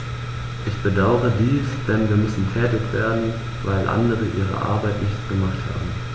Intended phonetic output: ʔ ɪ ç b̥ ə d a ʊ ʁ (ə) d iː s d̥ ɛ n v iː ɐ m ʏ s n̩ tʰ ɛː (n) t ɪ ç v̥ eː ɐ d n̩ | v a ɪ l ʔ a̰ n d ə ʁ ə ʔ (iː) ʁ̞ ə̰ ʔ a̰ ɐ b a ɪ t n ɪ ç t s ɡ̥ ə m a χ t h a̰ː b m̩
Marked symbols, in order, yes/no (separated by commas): yes, no, yes